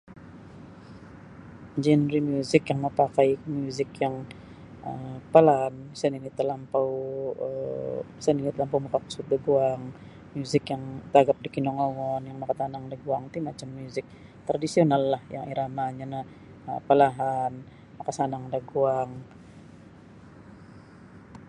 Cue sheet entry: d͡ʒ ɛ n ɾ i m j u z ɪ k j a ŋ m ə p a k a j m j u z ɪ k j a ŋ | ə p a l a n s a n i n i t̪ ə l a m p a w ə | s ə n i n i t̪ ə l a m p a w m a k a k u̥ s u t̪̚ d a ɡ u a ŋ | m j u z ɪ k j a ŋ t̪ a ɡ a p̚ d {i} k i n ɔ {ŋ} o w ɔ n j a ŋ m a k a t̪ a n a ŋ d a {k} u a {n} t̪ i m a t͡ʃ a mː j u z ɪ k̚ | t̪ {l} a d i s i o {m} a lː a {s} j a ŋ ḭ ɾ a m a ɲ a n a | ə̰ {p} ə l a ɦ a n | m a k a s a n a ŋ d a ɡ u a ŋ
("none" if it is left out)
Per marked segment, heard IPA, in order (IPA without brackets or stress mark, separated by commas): i, ŋ, ɡ, ŋ, ɾ, n, h, p